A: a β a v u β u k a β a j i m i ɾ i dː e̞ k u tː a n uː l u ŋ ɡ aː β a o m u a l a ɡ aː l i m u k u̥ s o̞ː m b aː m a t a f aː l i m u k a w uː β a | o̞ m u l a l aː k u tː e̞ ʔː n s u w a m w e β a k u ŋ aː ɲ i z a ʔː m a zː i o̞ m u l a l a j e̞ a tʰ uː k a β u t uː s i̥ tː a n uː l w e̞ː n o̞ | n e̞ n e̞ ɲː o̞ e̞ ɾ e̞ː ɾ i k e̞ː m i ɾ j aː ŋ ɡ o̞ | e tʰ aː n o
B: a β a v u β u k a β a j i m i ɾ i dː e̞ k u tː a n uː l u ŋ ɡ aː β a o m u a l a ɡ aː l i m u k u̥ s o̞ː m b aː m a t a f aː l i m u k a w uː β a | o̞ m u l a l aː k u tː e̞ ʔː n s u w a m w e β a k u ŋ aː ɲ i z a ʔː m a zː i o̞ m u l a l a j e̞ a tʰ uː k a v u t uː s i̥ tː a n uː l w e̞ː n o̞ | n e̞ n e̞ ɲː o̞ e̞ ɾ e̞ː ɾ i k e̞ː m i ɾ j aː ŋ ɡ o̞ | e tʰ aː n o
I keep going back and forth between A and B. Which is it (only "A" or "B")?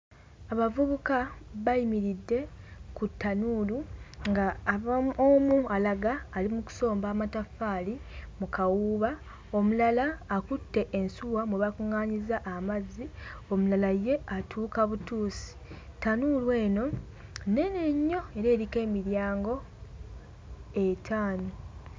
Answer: A